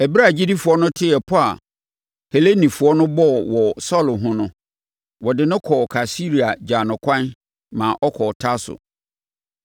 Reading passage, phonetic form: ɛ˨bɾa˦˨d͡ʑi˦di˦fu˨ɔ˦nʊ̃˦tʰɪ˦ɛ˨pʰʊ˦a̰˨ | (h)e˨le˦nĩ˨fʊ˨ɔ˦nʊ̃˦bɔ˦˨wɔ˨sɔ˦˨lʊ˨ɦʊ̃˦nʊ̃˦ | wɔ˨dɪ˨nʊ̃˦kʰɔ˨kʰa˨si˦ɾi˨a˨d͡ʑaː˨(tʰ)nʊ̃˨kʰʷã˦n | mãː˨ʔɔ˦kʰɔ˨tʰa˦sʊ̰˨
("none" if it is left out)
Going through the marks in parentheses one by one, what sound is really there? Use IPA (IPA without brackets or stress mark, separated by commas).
h, none